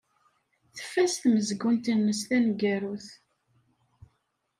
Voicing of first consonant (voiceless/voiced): voiceless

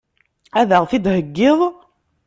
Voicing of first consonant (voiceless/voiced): voiced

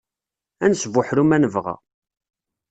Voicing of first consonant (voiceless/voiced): voiced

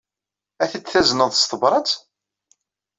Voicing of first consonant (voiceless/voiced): voiceless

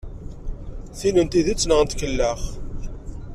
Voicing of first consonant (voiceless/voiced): voiceless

